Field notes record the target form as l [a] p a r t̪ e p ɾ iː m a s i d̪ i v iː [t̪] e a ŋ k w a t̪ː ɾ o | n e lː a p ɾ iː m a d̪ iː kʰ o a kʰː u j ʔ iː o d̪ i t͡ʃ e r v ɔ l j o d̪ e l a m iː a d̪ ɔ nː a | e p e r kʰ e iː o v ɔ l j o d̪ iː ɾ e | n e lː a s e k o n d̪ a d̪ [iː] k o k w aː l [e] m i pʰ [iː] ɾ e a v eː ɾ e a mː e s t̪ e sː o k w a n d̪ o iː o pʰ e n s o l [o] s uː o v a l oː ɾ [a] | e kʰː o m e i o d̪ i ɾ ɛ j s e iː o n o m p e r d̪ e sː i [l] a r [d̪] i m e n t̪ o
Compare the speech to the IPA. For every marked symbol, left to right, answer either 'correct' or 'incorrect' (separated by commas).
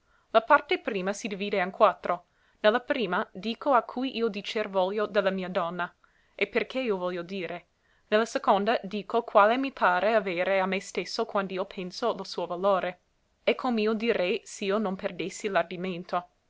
correct, incorrect, correct, correct, incorrect, correct, incorrect, correct, correct